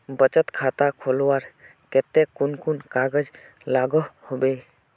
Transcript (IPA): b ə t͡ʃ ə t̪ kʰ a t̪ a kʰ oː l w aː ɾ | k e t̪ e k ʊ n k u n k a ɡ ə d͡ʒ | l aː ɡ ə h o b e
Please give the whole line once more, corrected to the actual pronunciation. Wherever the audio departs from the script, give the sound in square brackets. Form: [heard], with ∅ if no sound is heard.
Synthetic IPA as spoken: b ə t͡ʃ ə t̪ kʰ a t̪ a kʰ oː l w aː ɾ | k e t̪ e k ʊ n k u n k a ɡ ə d͡ʒ | l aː ɡ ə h o b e